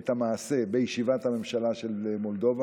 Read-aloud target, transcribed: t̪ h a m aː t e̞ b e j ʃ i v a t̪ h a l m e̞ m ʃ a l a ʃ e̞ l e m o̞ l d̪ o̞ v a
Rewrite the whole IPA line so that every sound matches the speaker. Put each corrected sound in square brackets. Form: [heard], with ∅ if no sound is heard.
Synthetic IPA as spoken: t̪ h a m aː [s] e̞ b e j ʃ i v a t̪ h a [∅] m e̞ m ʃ a l a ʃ e̞ l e m o̞ l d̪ o̞ v a